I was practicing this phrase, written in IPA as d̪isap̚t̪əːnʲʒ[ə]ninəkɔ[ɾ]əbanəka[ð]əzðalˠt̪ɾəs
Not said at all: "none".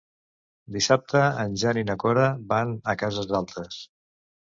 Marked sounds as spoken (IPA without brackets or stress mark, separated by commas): a, ɾ, z